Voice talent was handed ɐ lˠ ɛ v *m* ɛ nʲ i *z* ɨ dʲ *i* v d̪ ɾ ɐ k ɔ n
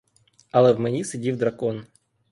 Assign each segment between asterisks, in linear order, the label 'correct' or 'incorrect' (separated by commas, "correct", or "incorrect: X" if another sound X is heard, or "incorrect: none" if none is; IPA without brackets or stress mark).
correct, incorrect: s, correct